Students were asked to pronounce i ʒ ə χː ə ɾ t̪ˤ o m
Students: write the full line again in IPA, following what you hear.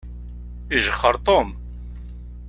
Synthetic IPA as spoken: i ʒ ə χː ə ɾ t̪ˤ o m